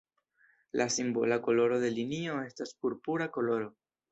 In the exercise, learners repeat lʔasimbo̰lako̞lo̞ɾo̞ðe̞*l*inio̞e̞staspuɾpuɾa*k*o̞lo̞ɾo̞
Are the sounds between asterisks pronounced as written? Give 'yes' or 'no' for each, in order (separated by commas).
yes, yes